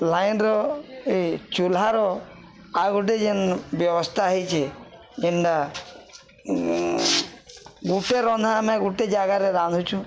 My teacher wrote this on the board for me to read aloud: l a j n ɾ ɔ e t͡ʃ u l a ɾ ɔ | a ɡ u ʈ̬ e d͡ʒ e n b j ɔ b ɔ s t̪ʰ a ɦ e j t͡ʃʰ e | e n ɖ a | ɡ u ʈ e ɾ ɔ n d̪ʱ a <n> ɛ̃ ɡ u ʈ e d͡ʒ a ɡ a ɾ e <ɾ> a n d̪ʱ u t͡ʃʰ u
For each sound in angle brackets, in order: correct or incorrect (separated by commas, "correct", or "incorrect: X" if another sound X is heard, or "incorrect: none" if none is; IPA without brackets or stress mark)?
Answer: incorrect: m, correct